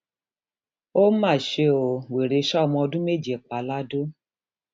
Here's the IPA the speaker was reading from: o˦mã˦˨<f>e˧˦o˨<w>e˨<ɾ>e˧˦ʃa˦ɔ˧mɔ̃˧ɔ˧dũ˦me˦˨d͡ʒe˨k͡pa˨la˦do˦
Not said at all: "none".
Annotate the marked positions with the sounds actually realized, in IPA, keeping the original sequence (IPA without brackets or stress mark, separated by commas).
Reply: ʃ, w, ɾ